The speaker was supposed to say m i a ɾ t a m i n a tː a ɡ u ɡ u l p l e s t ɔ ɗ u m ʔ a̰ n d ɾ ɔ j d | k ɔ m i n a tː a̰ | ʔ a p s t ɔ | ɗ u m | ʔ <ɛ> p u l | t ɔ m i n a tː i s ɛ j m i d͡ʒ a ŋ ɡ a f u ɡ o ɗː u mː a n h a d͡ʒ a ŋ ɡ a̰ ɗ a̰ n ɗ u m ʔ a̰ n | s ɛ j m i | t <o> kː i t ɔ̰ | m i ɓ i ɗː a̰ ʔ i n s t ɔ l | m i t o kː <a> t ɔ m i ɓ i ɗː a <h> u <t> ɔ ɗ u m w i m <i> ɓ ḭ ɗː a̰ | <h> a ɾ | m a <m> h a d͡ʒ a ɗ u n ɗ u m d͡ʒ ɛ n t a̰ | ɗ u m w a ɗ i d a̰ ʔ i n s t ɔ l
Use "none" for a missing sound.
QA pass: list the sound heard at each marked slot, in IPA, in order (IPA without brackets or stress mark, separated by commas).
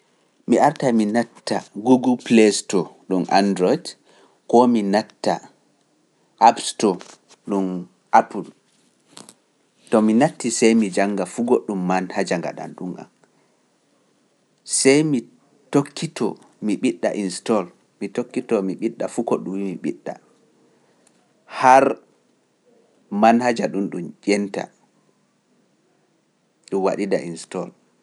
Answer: a, o, i, f, k, i, h, n